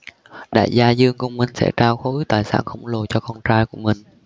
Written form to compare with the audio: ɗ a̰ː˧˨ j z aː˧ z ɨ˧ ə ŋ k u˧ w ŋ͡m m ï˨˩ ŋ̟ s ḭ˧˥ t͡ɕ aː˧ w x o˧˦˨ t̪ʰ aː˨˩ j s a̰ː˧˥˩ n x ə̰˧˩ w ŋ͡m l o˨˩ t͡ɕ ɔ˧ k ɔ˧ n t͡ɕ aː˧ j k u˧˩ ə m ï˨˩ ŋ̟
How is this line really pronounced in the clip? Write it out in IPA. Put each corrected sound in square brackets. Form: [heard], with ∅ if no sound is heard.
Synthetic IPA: ɗ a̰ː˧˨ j z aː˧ z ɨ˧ ə ŋ k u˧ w ŋ͡m m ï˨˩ ŋ̟ s [ɛ̰˧˥] t͡ɕ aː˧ w x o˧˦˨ [t̪] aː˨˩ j s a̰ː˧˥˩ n x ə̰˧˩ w ŋ͡m l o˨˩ t͡ɕ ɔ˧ k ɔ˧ n t͡ɕ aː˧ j k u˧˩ ə m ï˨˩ ŋ̟